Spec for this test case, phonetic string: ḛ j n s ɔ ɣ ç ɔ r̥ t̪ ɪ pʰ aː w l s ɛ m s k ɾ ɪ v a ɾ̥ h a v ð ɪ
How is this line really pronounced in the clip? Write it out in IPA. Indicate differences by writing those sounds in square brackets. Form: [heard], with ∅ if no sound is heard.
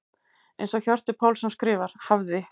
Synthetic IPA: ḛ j n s ɔ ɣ ç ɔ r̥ t̪ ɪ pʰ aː w l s ɛ m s k ɾ [ɪː] v a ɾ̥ h a v ð ɪ